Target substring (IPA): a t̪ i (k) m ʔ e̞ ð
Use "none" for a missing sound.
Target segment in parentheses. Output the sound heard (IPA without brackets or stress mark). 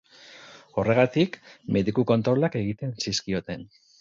k